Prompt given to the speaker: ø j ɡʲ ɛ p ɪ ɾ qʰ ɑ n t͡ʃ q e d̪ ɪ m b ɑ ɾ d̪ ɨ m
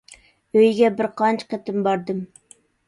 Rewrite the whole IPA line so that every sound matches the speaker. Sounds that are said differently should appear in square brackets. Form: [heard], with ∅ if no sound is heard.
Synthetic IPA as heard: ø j ɡʲ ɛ [b] ɪ ɾ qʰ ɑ n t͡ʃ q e [t̪] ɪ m b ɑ ɾ d̪ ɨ m